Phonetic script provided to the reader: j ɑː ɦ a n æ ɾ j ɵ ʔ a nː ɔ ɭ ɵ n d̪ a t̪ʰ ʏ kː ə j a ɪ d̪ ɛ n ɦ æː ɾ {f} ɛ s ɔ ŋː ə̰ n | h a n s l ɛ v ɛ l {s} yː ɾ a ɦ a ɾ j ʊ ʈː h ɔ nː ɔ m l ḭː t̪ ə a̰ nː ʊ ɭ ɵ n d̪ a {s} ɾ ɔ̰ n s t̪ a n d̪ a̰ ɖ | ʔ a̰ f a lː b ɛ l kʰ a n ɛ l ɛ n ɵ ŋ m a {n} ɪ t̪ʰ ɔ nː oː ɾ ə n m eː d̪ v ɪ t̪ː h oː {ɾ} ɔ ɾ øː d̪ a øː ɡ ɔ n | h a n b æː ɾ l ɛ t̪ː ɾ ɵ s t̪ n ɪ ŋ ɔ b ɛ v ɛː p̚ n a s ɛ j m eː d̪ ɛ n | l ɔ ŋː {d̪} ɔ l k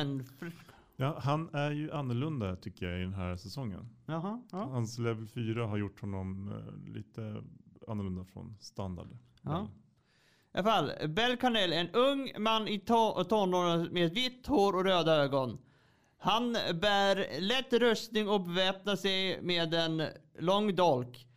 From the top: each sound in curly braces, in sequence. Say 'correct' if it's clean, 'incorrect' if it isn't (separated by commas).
incorrect, incorrect, incorrect, incorrect, correct, correct